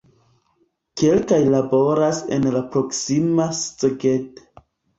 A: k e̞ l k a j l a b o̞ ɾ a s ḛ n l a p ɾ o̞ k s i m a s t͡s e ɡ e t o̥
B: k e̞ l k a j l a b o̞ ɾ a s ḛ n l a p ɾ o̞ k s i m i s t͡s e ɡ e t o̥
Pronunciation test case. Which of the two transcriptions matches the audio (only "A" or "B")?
A